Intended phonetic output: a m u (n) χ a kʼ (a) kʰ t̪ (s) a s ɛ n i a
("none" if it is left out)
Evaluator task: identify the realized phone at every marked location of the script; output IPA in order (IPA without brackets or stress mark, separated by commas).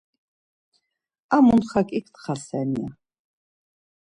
n, i, χ